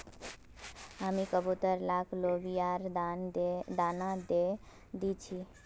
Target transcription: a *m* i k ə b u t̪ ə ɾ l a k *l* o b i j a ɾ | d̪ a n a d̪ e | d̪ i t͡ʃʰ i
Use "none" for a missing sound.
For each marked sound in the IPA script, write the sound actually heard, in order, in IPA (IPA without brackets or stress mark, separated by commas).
m, l